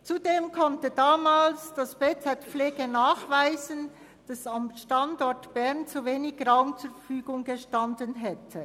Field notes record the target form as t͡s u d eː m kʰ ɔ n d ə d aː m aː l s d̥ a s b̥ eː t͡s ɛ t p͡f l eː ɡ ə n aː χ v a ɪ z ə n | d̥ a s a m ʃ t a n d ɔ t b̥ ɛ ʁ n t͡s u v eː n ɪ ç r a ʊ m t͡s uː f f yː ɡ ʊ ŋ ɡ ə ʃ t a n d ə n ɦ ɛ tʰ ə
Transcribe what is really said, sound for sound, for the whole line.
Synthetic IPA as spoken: t͡s u d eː m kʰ ɔ n t ə d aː m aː l s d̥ a s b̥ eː t͡s ɛ t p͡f l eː ɡ ə n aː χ v a ɪ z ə n | d̥ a s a m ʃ t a n d ɔ t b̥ ɛ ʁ n t͡s u v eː n ɪ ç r a ʊ m t͡s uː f f yː ɡ ʊ ŋ ɡ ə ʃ t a n d ə n ɦ ɛ tʰ ə

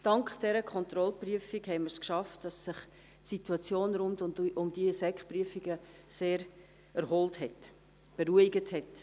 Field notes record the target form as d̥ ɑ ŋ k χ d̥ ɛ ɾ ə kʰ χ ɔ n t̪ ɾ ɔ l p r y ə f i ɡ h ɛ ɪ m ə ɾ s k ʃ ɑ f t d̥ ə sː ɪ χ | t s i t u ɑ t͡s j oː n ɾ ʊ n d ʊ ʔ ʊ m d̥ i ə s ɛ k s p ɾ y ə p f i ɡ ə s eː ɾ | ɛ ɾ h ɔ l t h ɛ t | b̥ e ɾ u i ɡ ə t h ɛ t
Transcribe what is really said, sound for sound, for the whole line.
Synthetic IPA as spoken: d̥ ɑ ŋ k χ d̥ ɛ ɾ ə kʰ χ ɔ n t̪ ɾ ɔ l p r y ə f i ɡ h ɛ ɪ m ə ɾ s k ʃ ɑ f t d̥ ɑ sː ɪ χ | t s i t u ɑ t͡s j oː n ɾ ʊ n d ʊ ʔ ʊ m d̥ i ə s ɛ k χ p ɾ y ə f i ɡ ə s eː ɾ | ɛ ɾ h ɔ l t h ɛ t | b̥ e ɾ u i ɡ ə t h ɛ t

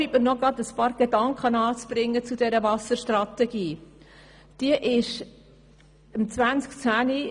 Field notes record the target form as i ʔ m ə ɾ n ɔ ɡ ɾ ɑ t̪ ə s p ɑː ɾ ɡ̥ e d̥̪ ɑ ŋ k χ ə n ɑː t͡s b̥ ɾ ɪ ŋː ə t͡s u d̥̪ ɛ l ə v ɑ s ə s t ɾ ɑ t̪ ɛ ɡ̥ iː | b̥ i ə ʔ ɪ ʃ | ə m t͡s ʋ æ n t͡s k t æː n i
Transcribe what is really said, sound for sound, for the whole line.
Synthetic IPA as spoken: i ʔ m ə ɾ n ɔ ɡ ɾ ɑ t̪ ə s p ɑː ɾ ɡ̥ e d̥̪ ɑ ŋ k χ ə n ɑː t͡s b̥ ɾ ɪ ŋː ə t͡s u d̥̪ ɛ ɾ ə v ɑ s ə ʃ t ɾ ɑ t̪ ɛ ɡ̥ iː | d̥ i ə ʔ ɪ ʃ | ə m t͡s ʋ æ n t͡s k t͡s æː n i

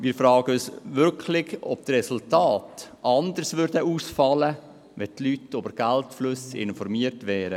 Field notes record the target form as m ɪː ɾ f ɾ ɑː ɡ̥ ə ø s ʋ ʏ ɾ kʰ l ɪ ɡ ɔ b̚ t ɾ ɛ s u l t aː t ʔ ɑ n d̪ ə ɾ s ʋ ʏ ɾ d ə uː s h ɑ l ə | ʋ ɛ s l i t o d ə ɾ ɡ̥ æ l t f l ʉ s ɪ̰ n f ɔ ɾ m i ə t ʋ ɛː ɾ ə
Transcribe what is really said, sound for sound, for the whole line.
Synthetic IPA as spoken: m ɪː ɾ f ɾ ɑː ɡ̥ ə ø s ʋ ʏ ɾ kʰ l ɪ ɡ ɔ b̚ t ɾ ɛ s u l t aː t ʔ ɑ n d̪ ə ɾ s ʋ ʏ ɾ d ə uː s f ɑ l ə | ʋ ɛ t l y t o b ə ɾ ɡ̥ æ l t f l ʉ s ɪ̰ n f ɔ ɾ m i ə t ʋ ɛː ɾ ə

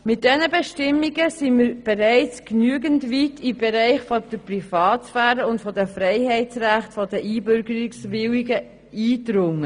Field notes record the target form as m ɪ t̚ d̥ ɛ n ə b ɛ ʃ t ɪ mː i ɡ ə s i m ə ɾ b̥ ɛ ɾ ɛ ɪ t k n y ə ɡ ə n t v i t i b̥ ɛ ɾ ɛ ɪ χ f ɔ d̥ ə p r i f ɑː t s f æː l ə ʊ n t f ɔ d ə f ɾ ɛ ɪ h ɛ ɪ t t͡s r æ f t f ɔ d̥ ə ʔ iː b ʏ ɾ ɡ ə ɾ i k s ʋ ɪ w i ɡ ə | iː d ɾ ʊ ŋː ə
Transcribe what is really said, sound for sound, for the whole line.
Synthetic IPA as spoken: m ɪ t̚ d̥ ɛ n ə b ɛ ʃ t ɪ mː i ɡ ə s i m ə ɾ b̥ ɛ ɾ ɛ ɪ t͡s k n y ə ɡ ə n t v i t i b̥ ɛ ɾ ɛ ɪ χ f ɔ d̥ ə p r i f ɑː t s f æː ɾ ə ʊ n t f ɔ d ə f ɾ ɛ ɪ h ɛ ɪ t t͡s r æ χ t f ɔ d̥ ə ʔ iː b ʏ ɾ ɡ ə ɾ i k s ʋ ɪ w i ɡ ə | iː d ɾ ʊ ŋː ə

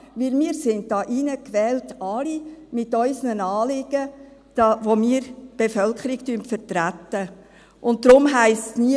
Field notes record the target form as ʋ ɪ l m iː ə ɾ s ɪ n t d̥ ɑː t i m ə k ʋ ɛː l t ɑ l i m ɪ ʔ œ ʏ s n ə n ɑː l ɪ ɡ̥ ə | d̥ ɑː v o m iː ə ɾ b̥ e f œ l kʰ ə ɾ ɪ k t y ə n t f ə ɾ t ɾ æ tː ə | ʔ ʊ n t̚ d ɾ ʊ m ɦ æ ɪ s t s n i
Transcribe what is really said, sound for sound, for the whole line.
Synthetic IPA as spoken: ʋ ɪ l m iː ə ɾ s ɪ n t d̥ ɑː ʔ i n ə k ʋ ɛː l t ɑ l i m ɪ t œ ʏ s n ə n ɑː l ɪ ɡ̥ ə | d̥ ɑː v o m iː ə ɾ b̥ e f œ l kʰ ə ɾ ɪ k t y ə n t f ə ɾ t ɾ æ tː ə | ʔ ʊ n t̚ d ɾ ʊ m ɦ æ ɪ s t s n i

